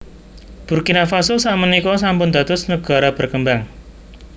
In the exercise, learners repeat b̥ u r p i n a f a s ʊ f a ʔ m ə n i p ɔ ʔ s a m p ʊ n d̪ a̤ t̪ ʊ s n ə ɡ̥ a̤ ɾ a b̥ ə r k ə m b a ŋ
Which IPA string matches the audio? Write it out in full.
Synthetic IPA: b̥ u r k i n a f a s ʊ s a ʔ m ə n i k ɔ s a m p ʊ n d̪ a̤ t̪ ʊ s n ə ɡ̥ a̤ ɾ a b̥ ə r k ə m b a ŋ